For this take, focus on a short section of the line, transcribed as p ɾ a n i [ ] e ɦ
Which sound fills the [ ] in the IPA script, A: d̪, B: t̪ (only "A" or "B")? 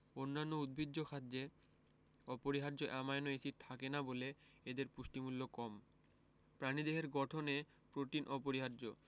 A